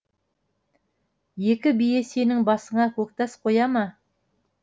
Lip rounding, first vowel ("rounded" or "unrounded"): unrounded